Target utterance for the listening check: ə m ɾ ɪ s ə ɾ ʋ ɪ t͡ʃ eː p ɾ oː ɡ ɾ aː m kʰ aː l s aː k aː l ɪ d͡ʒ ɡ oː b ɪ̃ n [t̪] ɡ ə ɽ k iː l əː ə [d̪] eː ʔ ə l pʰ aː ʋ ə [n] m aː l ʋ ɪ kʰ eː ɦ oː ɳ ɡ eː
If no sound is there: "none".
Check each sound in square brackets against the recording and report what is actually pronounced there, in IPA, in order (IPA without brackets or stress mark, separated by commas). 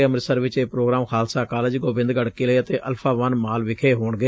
d̪, t̪, n